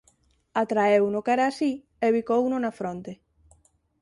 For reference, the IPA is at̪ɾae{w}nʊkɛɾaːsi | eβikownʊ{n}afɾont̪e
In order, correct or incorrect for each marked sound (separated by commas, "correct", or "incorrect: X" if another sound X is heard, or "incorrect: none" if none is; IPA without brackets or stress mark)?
correct, correct